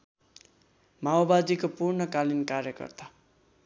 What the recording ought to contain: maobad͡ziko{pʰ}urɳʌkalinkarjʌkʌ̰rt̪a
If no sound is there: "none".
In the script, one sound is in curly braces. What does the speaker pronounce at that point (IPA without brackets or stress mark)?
p